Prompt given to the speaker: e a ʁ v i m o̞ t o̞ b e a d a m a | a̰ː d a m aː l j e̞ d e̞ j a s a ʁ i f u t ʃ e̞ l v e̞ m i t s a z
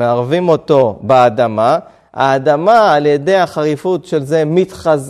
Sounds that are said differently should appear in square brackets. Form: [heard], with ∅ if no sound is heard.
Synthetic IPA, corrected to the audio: e a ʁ v i m o̞ t o̞ b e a d a m a | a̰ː d a m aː l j e̞ d e̞ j a [χ] a ʁ i f u t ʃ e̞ l [z] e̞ m i t [χ] a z